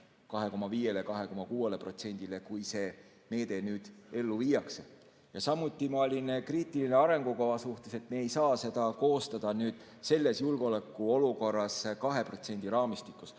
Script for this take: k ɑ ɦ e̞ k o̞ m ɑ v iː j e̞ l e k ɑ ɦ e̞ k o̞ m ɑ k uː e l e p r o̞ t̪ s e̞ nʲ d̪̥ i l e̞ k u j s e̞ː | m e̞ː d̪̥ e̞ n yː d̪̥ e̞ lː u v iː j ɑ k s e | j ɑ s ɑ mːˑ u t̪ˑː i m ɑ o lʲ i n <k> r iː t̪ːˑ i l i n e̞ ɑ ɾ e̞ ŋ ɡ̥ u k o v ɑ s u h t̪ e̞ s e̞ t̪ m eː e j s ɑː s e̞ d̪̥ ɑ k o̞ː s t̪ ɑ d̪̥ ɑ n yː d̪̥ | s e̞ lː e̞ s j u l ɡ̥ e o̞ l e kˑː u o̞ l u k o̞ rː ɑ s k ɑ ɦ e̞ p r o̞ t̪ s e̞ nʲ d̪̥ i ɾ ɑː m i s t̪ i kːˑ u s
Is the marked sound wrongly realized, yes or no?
no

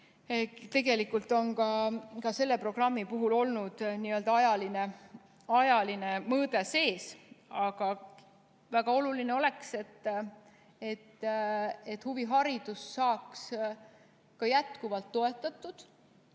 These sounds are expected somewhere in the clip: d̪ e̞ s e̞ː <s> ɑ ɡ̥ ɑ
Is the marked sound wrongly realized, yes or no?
no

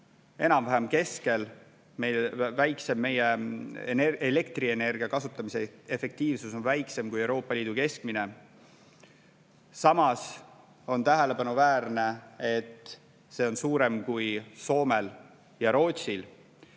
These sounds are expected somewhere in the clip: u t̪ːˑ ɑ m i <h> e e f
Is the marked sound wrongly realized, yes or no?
yes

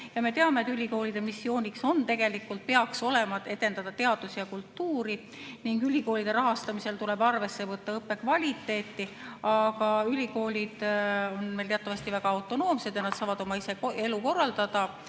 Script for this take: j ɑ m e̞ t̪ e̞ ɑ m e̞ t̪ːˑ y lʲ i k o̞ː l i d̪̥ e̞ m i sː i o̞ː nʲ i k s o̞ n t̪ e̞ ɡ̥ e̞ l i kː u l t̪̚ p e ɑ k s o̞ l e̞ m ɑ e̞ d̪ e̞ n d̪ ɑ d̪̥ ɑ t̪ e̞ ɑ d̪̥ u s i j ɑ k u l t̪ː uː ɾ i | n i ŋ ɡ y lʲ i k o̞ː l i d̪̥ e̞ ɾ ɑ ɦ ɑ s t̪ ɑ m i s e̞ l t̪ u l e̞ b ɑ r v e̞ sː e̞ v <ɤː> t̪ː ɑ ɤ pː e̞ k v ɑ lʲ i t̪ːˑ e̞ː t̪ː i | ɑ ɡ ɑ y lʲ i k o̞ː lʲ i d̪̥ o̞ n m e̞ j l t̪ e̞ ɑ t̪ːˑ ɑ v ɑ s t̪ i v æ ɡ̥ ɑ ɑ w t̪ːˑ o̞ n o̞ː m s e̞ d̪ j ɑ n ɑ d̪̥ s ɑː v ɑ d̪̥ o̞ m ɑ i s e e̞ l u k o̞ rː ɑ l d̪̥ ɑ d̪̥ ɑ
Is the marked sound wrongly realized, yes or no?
yes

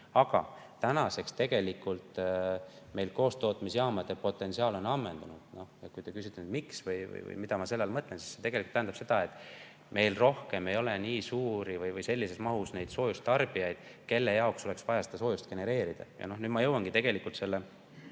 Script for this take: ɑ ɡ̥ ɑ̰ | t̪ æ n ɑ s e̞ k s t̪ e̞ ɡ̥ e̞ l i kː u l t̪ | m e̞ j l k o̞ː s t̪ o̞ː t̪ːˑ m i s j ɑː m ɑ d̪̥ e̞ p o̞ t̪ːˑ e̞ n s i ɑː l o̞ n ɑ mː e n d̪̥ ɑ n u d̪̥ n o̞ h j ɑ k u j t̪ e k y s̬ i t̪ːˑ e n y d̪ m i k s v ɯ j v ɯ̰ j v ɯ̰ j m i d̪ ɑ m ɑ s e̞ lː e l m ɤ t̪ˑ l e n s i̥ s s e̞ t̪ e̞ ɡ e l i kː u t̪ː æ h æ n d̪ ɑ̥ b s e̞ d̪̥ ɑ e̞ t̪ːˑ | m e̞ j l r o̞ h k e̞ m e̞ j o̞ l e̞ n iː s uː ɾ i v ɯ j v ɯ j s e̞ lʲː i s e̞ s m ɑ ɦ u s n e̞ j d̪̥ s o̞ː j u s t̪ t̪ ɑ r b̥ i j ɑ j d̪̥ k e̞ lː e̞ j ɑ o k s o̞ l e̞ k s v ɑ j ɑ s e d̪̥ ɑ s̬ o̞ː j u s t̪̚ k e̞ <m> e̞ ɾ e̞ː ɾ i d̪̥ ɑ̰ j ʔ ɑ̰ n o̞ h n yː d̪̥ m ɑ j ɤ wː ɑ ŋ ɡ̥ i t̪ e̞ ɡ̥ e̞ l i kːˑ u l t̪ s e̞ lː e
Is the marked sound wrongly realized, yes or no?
yes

